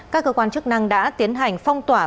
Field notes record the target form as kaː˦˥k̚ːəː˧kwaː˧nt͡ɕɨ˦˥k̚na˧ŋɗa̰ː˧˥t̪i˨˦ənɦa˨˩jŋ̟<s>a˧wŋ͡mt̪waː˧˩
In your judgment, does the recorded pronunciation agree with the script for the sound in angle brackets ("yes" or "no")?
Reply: no